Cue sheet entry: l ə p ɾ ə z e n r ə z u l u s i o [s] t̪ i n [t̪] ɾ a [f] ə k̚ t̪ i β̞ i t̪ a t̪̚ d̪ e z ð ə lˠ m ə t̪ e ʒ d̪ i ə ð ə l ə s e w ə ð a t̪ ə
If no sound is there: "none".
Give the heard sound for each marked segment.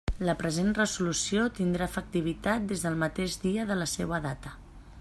none, d̪, f

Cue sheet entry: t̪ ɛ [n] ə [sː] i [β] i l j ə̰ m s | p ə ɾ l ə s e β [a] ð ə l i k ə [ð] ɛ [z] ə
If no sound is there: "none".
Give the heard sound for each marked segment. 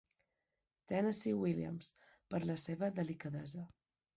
n, s, w, ə, ð, z

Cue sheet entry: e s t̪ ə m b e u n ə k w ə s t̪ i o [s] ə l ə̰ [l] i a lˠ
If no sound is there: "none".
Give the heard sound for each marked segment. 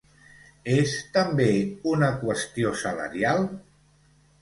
s, ɾ

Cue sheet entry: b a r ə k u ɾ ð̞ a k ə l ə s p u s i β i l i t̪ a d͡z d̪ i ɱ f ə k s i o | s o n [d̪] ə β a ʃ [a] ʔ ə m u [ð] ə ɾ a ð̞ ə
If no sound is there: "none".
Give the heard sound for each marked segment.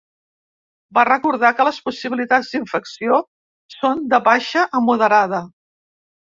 d̪, ə, ð

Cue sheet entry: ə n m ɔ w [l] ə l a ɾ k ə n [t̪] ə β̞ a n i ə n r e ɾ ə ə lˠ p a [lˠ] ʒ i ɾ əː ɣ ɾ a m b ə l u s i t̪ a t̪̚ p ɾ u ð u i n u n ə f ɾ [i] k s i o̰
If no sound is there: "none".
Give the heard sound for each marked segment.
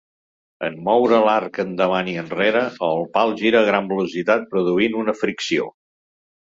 ɾ, d̪, lˠ, i

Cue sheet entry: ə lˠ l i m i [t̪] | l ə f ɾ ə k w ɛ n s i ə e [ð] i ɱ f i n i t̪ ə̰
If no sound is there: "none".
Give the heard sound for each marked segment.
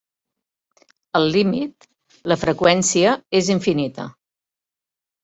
t̪, z

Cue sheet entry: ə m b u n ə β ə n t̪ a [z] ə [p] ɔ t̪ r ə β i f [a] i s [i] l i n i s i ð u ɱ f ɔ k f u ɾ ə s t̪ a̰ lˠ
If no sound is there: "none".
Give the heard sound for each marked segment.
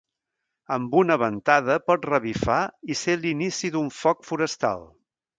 ð, p, a, e

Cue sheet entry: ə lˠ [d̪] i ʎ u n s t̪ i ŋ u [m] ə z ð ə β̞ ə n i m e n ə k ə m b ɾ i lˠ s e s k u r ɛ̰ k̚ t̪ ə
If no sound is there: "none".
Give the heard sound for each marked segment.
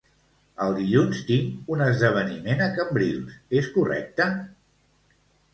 d̪, n

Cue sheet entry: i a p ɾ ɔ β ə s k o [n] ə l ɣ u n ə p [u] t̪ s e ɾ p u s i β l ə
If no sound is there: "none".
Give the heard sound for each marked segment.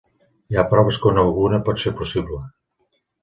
n, ɔ

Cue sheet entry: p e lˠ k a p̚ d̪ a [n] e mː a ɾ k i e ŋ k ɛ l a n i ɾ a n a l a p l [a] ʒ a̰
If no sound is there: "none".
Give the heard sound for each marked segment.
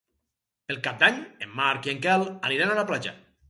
ɲ, a

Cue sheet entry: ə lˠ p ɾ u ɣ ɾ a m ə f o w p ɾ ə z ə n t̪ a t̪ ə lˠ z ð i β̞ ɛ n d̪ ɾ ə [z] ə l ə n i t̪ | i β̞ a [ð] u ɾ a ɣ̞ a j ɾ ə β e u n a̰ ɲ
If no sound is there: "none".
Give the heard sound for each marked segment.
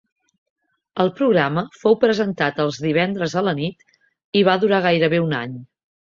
z, ð

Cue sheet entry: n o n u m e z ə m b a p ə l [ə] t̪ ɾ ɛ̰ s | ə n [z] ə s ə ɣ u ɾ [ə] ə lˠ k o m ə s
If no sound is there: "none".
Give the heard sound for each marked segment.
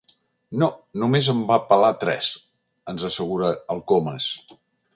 a, z, ə

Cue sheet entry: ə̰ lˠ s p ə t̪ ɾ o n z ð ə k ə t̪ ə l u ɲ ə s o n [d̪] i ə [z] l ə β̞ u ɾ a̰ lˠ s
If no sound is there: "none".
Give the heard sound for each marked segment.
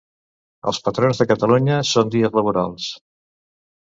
d̪, z

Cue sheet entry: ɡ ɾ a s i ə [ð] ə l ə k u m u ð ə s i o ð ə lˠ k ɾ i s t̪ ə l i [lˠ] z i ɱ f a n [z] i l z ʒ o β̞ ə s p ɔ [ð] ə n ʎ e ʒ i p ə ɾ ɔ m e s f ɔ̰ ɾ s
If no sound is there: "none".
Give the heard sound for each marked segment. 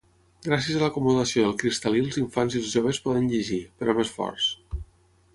z, lˠ, z, ð

